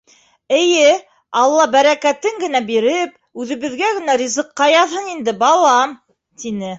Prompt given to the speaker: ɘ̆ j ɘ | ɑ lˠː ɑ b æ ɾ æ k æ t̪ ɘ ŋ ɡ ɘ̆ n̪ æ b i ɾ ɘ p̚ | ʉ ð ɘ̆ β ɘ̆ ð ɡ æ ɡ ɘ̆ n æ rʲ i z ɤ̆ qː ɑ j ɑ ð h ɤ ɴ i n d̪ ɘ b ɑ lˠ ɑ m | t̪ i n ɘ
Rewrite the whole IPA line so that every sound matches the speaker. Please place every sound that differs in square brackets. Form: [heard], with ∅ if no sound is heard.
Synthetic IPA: ɘ̆ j ɘ | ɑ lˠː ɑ b æ ɾ æ k æ t̪ ɘ ŋ ɡ ɘ̆ n̪ æ b i ɾ ɘ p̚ | ʉ ð ɘ̆ β ɘ̆ ð ɡ æ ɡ ɘ̆ n æ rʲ i z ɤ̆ qː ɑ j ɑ ð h ɤ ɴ i n d̪ ɘ b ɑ lˠ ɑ m | t̪ i n ɘ